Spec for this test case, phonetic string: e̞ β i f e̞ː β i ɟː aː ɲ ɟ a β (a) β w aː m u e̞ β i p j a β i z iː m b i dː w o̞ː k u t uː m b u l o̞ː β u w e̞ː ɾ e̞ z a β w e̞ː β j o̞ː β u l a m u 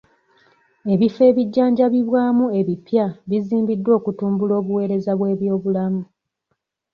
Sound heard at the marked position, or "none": i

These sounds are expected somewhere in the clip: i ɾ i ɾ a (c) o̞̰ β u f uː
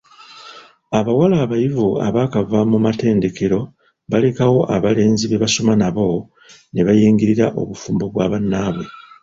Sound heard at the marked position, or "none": ʔ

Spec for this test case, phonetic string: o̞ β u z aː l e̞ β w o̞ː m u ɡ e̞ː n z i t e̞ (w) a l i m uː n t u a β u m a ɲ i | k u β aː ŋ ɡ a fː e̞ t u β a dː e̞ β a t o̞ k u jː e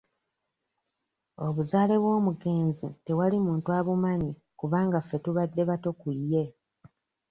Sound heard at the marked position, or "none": w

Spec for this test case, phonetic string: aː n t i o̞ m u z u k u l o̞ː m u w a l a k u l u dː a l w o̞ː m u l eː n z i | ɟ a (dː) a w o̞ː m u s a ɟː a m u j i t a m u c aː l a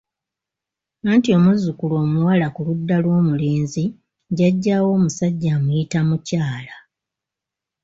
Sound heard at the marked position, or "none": ɟː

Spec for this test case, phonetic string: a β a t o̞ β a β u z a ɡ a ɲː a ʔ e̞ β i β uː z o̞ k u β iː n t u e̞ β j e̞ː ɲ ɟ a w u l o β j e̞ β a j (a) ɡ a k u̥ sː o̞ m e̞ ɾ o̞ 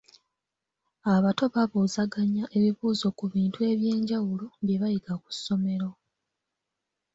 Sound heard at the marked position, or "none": i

